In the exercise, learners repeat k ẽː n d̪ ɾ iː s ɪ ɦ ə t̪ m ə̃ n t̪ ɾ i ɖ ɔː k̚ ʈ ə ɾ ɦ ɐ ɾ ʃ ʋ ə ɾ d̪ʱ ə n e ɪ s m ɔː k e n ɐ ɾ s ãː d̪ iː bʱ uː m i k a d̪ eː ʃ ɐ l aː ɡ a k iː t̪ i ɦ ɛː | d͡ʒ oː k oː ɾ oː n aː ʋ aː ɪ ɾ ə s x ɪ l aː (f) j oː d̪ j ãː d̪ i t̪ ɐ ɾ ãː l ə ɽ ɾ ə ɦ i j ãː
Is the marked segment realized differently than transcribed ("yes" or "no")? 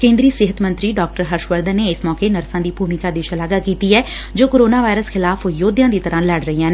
no